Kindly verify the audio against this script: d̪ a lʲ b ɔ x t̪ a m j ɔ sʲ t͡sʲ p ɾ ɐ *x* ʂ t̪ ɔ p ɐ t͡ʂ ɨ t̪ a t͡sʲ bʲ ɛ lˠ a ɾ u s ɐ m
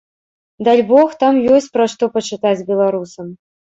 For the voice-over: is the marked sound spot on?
no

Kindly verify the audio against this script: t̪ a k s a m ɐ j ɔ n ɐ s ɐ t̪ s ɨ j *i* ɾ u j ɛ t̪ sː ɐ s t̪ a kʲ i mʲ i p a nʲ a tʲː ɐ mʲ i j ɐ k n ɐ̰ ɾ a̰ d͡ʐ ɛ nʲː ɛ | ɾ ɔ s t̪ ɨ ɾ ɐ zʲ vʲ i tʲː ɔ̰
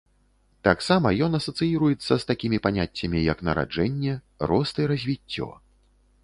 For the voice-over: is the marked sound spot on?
yes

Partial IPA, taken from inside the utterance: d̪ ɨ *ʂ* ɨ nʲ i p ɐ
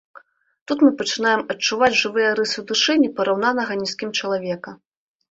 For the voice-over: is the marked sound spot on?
yes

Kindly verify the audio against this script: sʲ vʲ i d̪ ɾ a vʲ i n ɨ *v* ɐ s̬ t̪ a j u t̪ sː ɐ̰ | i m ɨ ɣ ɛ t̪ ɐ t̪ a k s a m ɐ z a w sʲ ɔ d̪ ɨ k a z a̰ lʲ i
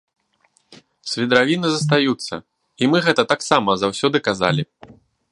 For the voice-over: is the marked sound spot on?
no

